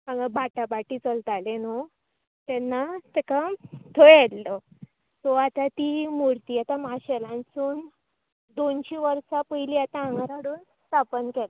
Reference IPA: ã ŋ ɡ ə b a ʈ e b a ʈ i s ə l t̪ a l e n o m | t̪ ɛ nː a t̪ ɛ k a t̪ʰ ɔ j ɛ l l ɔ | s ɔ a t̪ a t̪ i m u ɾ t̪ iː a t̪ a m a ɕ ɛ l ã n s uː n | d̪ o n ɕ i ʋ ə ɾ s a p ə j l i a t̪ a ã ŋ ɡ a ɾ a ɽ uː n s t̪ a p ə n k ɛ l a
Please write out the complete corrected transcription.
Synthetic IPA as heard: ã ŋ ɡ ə b a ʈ a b a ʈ i t͡s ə l t̪ a l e n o | t̪ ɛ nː a t̪ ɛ k a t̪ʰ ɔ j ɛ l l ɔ | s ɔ a t̪ a t̪ i m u ɾ t̪ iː a t̪ a m a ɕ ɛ l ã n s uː n | d̪ o n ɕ i ʋ ə ɾ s a p ə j l i a t̪ a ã ŋ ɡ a ɾ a ɽ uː n s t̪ a p ə n k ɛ l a

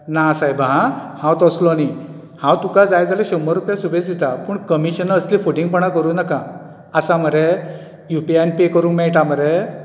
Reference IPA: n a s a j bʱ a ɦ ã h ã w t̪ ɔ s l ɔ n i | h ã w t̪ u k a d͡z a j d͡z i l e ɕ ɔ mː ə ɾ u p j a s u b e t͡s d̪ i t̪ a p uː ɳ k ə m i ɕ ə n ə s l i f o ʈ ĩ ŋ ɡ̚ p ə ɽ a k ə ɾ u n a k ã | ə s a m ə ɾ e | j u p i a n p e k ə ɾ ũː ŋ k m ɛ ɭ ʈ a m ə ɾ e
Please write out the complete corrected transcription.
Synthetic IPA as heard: n a s a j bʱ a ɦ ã h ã w t̪ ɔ s l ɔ n i | h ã w t̪ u k a d͡z a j d͡z a l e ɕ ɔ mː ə ɾ u p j a s u b e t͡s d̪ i t̪ a p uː ɳ k ə m i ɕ ə n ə s l i f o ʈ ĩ ŋ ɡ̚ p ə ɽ a k ə ɾ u n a k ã | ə s a m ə ɾ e | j u p i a n p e k ə ɾ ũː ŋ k m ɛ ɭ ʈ a m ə ɾ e

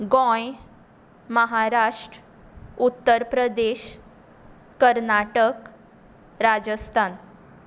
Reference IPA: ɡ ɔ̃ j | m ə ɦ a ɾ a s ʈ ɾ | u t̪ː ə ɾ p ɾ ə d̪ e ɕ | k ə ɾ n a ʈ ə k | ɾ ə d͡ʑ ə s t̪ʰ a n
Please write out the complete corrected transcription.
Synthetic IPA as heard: ɡ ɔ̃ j | m ə ɦ a ɾ a ʂ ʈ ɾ | u t̪ː ə ɾ p ɾ ə d̪ e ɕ | k ə ɾ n a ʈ ə k | ɾ a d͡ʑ ə s t̪ʰ a n

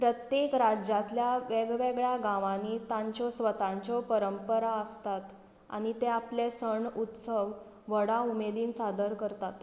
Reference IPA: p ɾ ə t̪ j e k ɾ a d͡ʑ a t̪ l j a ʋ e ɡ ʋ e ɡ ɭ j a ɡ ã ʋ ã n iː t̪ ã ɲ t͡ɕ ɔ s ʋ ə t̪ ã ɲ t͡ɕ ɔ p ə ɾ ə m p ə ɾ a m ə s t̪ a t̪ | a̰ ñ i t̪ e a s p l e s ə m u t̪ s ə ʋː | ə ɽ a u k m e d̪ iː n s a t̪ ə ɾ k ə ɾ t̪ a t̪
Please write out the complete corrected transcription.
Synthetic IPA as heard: p ɾ ə t̪ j e k ɾ a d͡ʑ a t̪ l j a ʋ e ɡ ʋ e ɡ ɭ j a ɡ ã ʋ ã n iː t̪ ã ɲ t͡ɕ ɔ s ʋ ə t̪ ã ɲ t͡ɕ ɔ p ə ɾ ə m p ə ɾ a ə s t̪ a t̪ | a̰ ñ i t̪ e a p l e s ə ɳ u t̪ s ə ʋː | ə ɽ a u m e d̪ iː n s a d̪ ə ɾ k ə ɾ t̪ a t̪

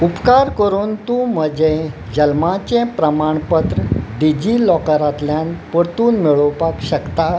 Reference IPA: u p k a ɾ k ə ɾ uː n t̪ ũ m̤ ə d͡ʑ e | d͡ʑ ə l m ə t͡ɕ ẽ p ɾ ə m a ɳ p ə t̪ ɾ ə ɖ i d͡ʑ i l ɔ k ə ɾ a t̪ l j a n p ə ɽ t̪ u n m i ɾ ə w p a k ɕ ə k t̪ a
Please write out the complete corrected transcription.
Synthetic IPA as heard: u p k a ɾ k ə ɾ uː n t̪ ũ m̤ ə d͡ʑ e | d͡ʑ ə l m a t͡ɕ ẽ p ɾ ə m a ɳ p ə t̪ ɾ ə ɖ i d͡ʑ i l ɔ k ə ɾ a t̪ l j a n p ə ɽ t̪ uː n m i ɭ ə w p a k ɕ ə k t̪ a

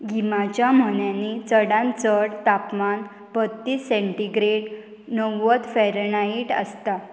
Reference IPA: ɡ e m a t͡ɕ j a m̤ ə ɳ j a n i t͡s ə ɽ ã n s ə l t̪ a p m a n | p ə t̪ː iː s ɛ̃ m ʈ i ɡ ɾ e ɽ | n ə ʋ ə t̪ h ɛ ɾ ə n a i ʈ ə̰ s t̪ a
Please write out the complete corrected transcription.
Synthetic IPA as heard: ɡ i m a t͡ɕ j a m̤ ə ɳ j a n i t͡s ə ɽ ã n t͡s ə ɽ t̪ a p m a n | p ə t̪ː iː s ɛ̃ ɳ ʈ i ɡ ɾ e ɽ | n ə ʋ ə t̪ f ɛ ɾ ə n a i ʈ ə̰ s t̪ a

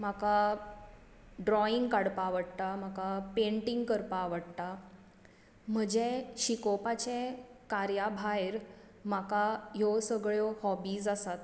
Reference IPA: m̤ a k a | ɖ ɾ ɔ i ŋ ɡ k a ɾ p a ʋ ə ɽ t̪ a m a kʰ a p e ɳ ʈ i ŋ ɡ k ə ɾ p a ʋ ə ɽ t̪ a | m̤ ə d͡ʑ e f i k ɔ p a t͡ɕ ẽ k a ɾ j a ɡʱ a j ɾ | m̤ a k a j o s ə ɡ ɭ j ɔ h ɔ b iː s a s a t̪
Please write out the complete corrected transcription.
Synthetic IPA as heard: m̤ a k a | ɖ ɾ ɔ i ŋ ɡ k a ɽ p a ʋ ə ɽ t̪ a m a k a p e ɳ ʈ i ŋ ɡ k ə ɾ p a ʋ ə ɽ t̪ a | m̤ ə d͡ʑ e ɕ i k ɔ p a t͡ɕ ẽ k a ɾ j a bʱ a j ɾ | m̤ a k a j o s ə ɡ ɭ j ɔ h ɔ b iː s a s a t̪

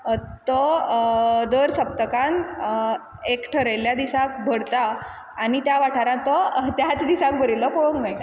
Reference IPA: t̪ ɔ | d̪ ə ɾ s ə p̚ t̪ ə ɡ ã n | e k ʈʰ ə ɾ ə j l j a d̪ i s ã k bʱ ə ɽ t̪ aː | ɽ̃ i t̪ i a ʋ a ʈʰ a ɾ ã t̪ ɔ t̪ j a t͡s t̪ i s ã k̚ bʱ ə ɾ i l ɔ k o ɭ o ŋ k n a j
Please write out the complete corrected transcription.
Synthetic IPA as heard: t̪ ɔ | d̪ ə ɾ s ə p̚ t̪ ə k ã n | e k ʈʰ ə ɾ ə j l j a d̪ i s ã k bʱ ə ɽ t̪ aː | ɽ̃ i t̪ j a ʋ a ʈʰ a ɾ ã t̪ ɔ t̪ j a t͡s d̪ i s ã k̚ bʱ ə ɾ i l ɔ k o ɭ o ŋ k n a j

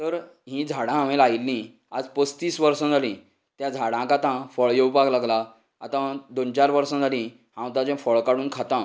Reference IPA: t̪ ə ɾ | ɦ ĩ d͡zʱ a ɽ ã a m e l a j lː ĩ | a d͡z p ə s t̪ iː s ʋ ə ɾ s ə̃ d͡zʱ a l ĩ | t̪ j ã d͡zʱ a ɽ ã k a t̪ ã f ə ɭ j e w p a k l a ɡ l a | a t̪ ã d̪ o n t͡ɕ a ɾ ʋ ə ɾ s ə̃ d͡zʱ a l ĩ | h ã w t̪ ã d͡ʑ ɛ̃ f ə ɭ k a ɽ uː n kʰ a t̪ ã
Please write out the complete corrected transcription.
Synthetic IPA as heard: t̪ ə ɾ | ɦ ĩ d͡zʱ a ɽ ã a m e l a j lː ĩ | a d͡z p ə s t̪ iː s ʋ ə ɾ s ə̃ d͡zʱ a l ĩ | t̪ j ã d͡zʱ a ɽ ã k a t̪ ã f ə ɭ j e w p a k l a ɡ l a | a t̪ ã d̪ o n t͡ɕ a ɾ ʋ ə ɾ s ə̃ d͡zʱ a l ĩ | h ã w t̪ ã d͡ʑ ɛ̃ f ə ɭ k a ɽ uː n kʰ a t̪ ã

